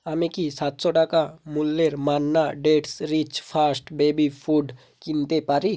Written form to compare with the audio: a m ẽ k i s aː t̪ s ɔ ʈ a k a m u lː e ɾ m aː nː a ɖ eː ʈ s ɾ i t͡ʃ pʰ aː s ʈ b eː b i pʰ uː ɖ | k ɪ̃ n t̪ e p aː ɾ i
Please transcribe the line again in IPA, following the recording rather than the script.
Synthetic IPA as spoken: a m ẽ k i s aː t̪ s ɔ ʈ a k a m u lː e ɾ m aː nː a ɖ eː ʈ s ɾ i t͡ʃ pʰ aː s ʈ b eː b i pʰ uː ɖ | k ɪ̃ n t̪ e p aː ɾ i